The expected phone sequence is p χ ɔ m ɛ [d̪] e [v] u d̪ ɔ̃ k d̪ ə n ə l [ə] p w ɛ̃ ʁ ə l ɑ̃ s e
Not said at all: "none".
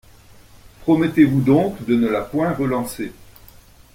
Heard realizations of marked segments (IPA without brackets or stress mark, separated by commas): t̪, v, a